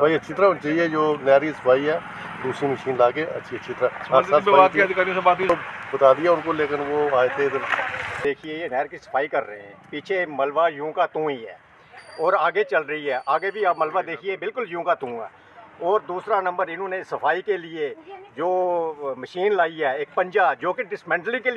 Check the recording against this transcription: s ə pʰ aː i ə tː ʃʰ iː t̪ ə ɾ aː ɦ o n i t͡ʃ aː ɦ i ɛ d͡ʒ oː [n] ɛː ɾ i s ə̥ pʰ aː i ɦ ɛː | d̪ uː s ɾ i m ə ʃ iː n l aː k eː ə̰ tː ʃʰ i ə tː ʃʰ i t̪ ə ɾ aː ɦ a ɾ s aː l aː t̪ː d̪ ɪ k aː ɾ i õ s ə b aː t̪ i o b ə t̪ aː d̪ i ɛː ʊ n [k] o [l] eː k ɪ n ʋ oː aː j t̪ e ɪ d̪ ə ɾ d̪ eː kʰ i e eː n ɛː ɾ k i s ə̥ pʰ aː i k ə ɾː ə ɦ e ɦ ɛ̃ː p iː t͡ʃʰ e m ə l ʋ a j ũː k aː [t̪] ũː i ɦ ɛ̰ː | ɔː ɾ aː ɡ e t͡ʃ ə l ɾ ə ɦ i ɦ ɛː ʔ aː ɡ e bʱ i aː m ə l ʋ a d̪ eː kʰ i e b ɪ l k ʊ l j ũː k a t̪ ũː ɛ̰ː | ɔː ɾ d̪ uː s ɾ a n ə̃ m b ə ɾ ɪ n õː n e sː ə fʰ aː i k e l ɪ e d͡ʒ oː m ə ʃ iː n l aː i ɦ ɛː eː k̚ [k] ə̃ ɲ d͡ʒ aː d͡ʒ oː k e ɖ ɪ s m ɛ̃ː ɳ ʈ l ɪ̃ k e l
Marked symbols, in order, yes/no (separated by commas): yes, yes, yes, yes, no